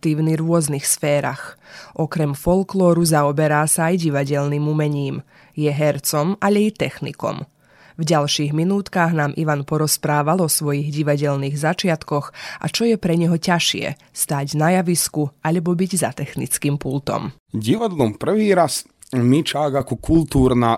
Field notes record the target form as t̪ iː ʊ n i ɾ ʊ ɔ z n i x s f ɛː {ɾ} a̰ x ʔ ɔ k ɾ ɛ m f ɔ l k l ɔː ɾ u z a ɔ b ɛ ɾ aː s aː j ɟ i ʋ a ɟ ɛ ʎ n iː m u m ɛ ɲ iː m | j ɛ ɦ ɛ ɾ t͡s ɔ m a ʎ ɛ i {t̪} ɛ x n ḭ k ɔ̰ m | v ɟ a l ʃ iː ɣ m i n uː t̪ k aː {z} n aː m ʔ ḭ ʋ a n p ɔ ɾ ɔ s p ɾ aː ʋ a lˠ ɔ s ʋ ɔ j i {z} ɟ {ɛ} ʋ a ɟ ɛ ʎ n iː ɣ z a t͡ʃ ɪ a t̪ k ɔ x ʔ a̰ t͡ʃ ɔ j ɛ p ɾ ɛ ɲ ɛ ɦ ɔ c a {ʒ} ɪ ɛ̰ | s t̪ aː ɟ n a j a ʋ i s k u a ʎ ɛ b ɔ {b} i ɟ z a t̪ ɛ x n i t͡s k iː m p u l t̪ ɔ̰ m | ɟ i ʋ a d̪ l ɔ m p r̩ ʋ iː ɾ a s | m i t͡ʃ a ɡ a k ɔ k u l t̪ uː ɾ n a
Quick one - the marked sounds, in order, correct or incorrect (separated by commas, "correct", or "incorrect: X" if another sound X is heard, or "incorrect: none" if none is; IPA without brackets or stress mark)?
correct, correct, incorrect: ɣ, incorrect: ɣ, incorrect: i, incorrect: ʃ, correct